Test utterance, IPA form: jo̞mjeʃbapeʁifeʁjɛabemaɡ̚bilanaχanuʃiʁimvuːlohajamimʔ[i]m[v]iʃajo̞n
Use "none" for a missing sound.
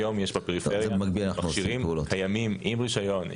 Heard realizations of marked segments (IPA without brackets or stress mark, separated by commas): i, ʁ